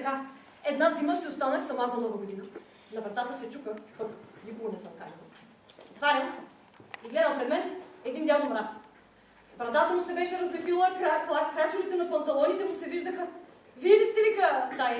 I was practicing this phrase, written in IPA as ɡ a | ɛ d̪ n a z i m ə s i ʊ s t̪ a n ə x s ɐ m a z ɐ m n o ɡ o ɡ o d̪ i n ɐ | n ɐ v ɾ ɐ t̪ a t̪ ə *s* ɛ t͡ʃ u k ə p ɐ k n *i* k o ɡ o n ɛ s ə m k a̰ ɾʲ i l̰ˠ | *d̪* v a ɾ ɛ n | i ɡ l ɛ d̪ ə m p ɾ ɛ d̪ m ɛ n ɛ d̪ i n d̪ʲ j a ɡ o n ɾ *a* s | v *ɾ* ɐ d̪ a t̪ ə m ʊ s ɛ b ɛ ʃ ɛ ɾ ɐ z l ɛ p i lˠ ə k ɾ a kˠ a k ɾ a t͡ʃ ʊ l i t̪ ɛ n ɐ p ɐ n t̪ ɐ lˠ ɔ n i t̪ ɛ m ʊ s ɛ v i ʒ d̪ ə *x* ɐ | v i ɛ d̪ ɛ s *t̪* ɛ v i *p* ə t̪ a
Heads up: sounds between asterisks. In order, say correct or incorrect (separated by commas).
correct, correct, incorrect, correct, correct, correct, correct, incorrect